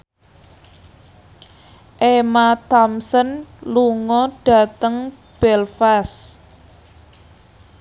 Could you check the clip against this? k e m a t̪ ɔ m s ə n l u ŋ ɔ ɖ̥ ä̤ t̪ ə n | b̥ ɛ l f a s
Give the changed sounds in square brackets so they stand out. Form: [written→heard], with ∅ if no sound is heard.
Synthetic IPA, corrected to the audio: [k→ʔ] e m a t̪ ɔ m s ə n l u ŋ ɔ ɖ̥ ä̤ t̪ ə [n→ŋ] | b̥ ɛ l f a s